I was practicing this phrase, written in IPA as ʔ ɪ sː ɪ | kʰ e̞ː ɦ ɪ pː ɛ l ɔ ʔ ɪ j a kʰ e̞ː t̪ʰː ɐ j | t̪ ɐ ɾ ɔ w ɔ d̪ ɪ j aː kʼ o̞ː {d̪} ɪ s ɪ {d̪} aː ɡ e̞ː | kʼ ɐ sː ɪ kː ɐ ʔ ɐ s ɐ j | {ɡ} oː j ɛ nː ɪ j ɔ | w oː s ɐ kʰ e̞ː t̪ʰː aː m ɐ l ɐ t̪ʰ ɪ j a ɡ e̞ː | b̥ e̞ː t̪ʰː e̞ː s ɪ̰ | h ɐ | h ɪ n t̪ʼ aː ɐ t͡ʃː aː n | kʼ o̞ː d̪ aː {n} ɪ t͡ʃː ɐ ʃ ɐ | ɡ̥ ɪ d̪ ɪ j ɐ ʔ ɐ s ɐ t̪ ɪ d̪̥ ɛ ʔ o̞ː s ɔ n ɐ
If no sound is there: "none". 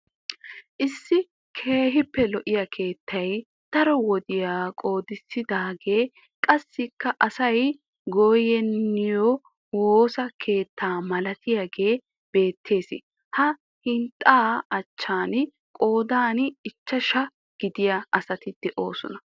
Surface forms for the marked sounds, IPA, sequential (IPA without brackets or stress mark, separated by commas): d̪, d̪, ɡ, n